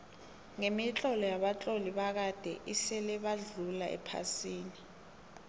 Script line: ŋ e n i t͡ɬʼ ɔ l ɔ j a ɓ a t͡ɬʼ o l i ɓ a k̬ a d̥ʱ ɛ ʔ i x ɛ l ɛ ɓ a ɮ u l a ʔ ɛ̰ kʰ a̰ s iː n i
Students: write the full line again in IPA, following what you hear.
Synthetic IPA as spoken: ŋ e m i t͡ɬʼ ɔ l ɔ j a ɓ a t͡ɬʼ o l i ɓ a k̬ a d̥ʱ ɛ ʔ i s ɛ l ɛ ɓ a ɮ u l a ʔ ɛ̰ pʰ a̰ s iː n i